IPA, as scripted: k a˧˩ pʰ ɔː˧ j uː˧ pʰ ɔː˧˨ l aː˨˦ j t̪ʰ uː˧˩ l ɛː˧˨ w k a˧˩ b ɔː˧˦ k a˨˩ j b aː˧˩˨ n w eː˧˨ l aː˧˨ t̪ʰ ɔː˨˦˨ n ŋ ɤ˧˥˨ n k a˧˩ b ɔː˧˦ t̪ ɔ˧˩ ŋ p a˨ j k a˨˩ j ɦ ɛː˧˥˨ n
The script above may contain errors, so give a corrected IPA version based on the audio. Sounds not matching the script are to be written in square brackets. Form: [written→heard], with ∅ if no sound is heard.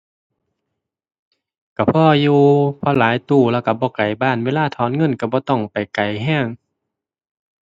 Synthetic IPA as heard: k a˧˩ pʰ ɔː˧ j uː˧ pʰ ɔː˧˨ l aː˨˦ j [t̪ʰ→t̪] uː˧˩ l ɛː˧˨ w k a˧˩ b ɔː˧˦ k a˨˩ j b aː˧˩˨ n w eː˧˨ l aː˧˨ t̪ʰ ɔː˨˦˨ n ŋ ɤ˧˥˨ n k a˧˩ b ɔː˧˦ t̪ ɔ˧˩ ŋ p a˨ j k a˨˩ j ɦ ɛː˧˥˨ [n→ŋ]